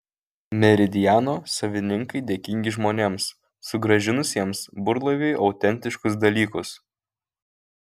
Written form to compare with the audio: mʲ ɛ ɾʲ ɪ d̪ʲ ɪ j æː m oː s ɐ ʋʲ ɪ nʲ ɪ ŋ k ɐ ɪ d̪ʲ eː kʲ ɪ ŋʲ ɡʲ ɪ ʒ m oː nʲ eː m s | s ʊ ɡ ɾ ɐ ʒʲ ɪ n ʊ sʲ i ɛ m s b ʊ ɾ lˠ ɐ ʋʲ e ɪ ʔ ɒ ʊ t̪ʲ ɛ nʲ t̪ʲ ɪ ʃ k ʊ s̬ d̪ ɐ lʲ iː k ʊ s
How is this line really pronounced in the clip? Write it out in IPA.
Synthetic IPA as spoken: mʲ ɛ ɾʲ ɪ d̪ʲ ɪ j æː n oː s ɐ ʋʲ ɪ nʲ ɪ ŋ k ɐ ɪ d̪ʲ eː kʲ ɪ ŋʲ ɡʲ ɪ ʒ m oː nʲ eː m s | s ʊ ɡ ɾ ɐ ʒʲ ɪ n ʊ sʲ i ɛ m s b ʊ ɾ lˠ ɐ ʋʲ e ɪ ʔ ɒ ʊ t̪ʲ ɛ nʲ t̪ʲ ɪ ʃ k ʊ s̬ d̪ ɐ lʲ iː k ʊ s